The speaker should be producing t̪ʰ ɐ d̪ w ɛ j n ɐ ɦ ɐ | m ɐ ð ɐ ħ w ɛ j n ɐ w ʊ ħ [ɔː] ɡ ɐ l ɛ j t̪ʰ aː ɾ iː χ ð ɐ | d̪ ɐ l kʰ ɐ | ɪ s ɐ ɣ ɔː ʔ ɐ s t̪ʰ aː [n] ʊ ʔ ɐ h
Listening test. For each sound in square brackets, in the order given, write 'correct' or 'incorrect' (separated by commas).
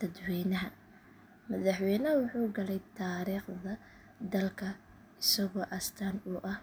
incorrect, correct